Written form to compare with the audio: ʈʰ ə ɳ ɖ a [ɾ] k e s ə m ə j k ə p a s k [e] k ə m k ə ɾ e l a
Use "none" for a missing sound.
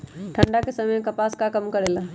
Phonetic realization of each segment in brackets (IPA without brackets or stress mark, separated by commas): none, a